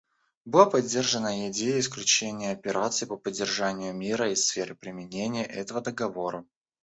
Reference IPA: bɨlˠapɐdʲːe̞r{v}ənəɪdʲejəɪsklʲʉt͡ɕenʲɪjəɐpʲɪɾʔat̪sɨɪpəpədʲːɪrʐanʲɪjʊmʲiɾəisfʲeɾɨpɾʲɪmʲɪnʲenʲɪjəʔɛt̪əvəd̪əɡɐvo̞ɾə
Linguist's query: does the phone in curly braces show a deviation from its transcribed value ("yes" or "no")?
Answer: yes